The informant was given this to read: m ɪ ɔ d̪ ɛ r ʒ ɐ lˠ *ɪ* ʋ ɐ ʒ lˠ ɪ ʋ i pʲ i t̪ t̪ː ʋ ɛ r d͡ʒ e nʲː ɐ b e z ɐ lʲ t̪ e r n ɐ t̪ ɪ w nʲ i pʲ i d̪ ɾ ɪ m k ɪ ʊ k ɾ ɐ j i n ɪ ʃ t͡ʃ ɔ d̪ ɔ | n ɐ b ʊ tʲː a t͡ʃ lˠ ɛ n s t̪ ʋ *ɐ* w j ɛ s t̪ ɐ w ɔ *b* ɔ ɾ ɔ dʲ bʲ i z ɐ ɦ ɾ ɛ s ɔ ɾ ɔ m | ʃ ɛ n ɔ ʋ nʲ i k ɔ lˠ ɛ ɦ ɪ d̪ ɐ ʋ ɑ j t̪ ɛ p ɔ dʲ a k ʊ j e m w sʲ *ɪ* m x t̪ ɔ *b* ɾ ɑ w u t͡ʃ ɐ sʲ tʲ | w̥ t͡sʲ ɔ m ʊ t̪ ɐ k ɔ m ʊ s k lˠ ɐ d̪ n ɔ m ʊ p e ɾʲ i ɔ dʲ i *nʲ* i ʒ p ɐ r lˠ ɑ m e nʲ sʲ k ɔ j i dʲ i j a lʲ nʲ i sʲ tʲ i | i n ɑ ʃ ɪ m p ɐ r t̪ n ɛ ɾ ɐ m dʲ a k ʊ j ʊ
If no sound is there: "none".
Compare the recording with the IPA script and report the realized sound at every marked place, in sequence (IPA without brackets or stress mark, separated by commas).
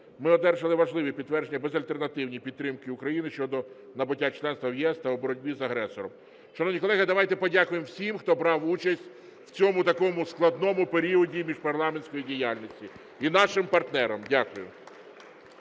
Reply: ɪ, ɐ, b, i, b, mʲ